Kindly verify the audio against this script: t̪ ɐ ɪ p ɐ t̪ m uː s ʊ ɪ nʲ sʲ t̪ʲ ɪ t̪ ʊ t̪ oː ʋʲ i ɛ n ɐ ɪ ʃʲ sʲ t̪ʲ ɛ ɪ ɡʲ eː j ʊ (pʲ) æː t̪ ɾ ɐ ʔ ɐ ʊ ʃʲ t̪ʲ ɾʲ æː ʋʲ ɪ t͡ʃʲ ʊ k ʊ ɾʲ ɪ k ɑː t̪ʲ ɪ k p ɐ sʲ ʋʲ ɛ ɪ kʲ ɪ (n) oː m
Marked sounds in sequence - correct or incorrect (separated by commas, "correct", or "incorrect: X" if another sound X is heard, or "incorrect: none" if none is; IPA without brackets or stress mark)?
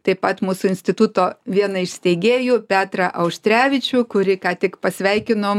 correct, correct